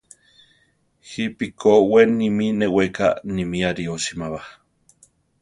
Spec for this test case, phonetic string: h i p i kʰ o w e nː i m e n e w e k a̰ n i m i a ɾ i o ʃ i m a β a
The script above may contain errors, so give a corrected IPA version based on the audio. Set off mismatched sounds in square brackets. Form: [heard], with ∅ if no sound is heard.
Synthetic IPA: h i p i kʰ o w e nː i m [i] n e w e k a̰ n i m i a ɾ i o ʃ i m a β a